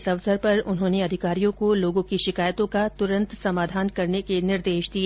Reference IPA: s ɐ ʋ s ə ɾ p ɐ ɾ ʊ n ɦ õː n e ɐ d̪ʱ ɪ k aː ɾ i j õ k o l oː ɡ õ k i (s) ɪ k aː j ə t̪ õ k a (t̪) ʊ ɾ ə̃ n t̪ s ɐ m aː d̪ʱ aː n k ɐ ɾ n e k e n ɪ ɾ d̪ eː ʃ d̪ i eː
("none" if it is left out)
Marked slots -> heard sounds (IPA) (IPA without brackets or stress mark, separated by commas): ʃ, t̪